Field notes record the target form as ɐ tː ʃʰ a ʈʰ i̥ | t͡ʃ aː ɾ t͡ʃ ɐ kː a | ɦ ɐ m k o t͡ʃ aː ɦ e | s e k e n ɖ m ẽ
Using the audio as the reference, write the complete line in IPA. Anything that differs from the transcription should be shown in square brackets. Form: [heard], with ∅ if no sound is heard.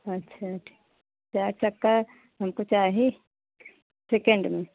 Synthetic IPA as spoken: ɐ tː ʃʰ a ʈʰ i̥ | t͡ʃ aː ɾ t͡ʃ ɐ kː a | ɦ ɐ m k o t͡ʃ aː ɦ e | s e k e [ɳ] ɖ m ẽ